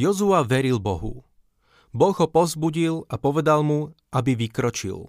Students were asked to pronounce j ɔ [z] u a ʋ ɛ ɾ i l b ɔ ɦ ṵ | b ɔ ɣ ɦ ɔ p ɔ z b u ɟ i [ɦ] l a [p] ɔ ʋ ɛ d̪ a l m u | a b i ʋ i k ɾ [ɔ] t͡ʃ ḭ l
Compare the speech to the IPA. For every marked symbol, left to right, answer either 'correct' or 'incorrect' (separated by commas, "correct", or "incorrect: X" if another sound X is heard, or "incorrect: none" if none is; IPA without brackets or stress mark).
correct, incorrect: none, correct, correct